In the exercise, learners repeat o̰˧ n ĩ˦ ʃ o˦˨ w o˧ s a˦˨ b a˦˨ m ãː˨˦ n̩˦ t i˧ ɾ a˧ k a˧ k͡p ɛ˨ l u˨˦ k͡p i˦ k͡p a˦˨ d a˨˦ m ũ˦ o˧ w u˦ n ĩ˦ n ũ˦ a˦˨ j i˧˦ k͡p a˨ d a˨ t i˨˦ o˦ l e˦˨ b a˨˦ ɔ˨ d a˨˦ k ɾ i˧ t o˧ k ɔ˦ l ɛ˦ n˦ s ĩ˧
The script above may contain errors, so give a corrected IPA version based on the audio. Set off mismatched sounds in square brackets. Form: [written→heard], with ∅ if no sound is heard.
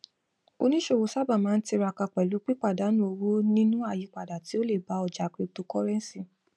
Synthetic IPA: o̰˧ n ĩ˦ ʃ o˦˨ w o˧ s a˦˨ b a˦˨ m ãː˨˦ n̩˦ t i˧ ɾ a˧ k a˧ k͡p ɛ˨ l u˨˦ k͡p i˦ k͡p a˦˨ d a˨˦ [m→n] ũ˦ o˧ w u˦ n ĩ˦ n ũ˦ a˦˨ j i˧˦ k͡p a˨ d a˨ t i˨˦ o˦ l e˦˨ b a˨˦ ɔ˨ [d→d͡ʒ] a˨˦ k ɾ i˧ t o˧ k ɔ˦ [l→ɾ] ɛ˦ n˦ s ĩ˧